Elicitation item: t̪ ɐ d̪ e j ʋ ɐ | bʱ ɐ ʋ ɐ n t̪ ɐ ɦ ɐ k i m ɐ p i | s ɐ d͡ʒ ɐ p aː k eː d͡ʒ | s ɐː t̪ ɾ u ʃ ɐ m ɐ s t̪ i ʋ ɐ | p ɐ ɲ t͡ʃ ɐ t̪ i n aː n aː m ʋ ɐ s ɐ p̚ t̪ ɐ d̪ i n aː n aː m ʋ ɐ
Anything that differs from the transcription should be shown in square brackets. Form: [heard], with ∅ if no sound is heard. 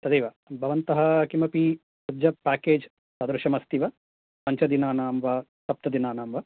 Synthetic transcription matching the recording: t̪ ɐ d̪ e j ʋ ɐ | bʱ ɐ ʋ ɐ n t̪ ɐ ɦ ɐ k i m ɐ p i | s ɐ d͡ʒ ɐ p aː k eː d͡ʒ | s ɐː [d̪] ɾ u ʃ ɐ m ɐ s t̪ i ʋ ɐ | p ɐ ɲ t͡ʃ ɐ [d̪] i n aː n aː m ʋ ɐ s ɐ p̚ t̪ ɐ d̪ i n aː n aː m ʋ ɐ